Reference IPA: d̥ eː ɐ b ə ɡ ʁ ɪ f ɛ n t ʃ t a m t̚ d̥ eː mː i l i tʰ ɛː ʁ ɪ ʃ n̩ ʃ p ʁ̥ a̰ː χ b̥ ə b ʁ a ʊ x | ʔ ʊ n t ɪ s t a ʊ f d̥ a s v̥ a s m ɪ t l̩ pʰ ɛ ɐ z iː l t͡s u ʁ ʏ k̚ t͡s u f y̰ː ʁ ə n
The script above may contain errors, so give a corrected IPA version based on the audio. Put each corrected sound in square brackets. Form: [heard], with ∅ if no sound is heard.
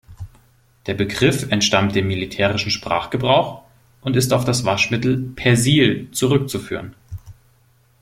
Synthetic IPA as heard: d̥ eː ɐ b ə ɡ ʁ ɪ f ɛ n t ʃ t a m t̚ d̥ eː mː i l i tʰ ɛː ʁ ɪ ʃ n̩ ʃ p ʁ̥ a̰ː χ [ɡ̥] ə b ʁ a ʊ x | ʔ ʊ n t ɪ s t a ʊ f d̥ a s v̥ a [ʃ] m ɪ t l̩ pʰ ɛ ɐ z iː l t͡s u ʁ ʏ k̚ t͡s u f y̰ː ʁ ə n